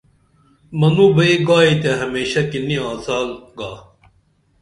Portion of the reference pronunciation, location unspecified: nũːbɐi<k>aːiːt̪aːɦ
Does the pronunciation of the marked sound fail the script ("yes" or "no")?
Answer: yes